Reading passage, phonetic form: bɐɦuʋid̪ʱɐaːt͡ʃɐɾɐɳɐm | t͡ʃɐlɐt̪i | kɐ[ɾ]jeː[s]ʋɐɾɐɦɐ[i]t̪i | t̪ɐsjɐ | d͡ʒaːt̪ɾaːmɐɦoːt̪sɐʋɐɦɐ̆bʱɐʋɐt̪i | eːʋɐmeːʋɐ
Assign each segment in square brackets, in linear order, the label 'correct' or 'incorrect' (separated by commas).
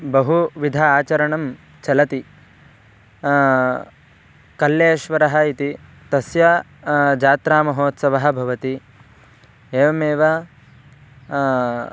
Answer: incorrect, incorrect, correct